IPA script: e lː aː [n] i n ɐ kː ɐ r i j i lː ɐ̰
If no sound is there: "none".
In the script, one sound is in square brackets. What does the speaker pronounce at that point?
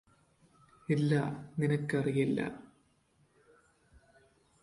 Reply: n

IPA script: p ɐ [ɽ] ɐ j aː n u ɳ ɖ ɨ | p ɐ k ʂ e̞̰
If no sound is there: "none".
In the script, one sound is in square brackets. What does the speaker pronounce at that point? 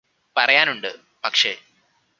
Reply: r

